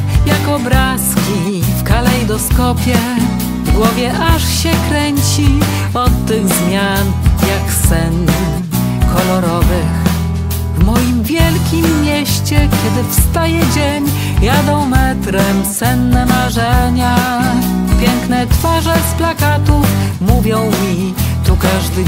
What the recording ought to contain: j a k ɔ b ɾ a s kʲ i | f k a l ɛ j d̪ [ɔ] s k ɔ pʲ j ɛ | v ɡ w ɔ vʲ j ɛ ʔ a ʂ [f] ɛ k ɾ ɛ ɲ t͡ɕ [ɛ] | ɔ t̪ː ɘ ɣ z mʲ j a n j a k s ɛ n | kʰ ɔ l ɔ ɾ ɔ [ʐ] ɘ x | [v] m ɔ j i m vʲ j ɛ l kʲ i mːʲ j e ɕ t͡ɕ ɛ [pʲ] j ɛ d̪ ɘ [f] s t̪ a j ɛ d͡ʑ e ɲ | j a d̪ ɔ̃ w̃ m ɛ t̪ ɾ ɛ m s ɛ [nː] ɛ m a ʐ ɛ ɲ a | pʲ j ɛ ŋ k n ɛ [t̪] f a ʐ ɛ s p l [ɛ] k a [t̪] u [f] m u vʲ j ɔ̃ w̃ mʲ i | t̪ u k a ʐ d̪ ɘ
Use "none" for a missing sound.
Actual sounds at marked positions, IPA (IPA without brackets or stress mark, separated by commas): ɔ, ɕ, i, v, v, kʲ, f, nː, t̪, a, t̪, f